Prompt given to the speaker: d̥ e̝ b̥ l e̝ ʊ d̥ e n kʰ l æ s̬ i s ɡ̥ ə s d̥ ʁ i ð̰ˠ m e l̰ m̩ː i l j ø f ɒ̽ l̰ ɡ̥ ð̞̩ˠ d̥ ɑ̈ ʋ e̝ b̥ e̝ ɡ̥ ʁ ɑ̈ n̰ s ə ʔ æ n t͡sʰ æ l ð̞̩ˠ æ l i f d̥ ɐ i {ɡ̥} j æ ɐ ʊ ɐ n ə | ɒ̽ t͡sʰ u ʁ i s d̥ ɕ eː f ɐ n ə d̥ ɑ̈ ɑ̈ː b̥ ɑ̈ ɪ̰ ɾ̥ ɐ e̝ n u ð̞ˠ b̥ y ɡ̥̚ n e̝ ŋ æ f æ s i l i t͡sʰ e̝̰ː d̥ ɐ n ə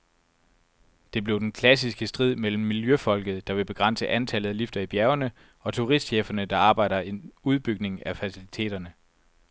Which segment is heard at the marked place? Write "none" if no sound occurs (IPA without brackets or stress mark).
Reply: b̥